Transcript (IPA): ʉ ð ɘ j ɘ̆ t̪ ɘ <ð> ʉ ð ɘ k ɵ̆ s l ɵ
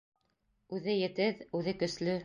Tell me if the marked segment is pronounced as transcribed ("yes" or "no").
yes